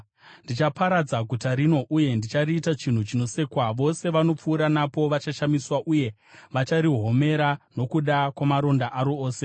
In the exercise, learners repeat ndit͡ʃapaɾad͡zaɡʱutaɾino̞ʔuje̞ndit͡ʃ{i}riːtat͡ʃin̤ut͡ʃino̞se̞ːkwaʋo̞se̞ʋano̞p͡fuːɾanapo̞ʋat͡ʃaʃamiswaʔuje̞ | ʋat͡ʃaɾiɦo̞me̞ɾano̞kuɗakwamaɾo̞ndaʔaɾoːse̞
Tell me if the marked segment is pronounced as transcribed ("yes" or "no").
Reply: no